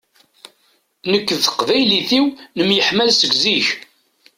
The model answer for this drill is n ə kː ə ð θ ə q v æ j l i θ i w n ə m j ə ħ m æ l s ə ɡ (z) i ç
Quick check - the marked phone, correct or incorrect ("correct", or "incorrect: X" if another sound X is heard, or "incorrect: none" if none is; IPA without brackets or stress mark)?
correct